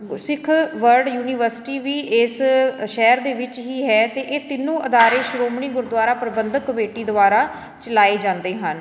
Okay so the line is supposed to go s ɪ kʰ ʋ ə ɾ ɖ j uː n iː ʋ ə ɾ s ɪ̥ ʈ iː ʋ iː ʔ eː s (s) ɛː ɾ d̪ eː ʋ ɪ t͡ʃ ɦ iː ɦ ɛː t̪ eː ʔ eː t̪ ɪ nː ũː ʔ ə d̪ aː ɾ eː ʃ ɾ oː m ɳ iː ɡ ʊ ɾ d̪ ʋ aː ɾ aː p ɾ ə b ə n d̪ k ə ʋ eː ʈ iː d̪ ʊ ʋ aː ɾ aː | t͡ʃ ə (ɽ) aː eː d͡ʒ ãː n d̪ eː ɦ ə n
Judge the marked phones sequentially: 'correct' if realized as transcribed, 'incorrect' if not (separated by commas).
incorrect, incorrect